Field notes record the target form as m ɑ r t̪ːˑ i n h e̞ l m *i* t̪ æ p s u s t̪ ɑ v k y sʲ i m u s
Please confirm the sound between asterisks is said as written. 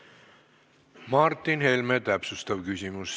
no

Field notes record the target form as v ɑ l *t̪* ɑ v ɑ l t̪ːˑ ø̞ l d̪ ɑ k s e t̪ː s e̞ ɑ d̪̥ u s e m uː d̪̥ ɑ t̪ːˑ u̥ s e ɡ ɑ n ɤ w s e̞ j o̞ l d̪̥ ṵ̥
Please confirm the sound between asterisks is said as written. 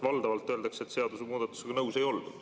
no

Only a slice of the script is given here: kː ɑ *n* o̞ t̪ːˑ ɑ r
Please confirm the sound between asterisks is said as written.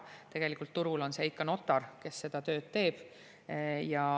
yes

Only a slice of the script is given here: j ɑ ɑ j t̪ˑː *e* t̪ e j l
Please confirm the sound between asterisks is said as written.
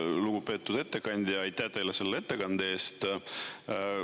no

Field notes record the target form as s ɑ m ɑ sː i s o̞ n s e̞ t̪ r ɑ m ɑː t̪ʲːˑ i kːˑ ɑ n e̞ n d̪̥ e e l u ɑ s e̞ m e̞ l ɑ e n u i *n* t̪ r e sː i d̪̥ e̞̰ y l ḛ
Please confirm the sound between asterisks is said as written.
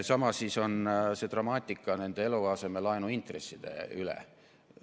yes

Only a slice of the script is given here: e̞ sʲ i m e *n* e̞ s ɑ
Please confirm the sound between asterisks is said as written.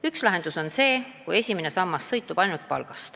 yes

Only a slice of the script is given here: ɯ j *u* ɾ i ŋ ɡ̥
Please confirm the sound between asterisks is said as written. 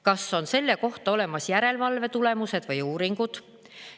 no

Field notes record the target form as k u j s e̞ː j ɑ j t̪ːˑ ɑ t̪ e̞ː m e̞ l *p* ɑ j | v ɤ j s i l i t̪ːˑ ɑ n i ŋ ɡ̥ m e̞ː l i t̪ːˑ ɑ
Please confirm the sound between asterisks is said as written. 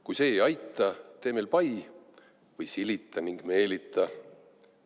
yes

